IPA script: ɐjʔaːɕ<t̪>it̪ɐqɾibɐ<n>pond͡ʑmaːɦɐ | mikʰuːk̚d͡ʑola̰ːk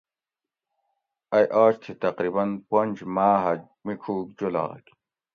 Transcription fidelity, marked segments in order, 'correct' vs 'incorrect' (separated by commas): incorrect, correct